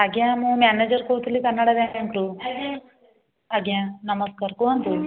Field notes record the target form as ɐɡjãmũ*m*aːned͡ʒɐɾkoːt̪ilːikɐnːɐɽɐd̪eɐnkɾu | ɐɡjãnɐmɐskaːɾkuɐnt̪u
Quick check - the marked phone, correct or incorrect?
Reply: correct